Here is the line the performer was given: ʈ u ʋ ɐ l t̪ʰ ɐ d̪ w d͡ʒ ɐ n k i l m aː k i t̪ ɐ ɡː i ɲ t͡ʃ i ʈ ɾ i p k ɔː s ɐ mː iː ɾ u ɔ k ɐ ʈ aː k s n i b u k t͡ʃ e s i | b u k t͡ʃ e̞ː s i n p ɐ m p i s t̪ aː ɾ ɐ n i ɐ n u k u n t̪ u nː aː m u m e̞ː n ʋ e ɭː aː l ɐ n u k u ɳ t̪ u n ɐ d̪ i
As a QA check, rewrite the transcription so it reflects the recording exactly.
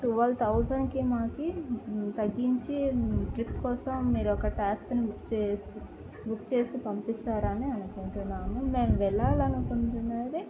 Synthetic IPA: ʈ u ʋ ɐ l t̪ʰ ɐ w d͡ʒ ɐ n k i m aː k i t̪ ɐ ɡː i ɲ t͡ʃ i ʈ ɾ i p k ɔː s ɐ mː iː ɾ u ɔ k ɐ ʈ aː k s n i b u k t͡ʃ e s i | b u k t͡ʃ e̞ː s i p ɐ m p i s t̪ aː ɾ ɐ n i ɐ n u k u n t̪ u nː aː m u m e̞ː m ʋ ɛ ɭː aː l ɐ n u k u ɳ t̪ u n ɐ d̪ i